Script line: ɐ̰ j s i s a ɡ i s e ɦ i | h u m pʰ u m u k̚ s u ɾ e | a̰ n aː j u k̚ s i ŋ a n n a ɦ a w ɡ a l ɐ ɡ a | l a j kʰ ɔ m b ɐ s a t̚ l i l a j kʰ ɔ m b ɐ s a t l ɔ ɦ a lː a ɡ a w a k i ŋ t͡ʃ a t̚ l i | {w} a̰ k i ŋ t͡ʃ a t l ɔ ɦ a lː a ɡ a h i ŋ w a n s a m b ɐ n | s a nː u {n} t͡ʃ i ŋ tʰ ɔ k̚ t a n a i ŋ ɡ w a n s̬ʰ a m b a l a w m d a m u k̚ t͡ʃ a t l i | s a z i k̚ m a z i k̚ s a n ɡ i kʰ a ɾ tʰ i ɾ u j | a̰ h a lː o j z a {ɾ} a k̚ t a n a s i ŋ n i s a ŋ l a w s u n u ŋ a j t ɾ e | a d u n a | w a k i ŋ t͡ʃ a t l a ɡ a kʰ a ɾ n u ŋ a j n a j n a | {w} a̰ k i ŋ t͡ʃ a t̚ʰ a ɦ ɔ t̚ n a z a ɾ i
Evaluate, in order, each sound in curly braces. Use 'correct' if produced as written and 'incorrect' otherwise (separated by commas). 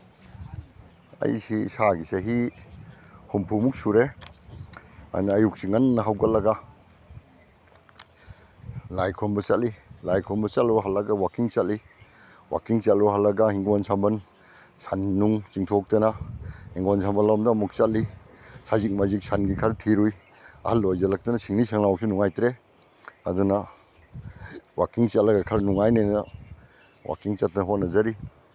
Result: correct, incorrect, incorrect, correct